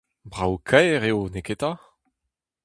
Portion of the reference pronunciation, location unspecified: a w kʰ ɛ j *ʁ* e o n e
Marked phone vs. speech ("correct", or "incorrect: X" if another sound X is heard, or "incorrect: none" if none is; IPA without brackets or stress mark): correct